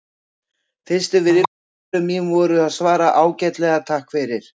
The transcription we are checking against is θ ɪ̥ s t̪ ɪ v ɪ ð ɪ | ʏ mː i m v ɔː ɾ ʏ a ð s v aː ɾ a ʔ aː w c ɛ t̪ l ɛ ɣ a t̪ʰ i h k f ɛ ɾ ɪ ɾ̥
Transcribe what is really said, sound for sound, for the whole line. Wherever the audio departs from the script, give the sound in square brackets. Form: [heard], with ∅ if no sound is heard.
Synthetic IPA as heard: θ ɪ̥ s t̪ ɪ v ɪ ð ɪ | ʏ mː i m v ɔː ɾ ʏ a ð s v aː ɾ a ʔ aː w c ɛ t̪ l ɛ ɣ a t̪ʰ [a] h k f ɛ ɾ ɪ ɾ̥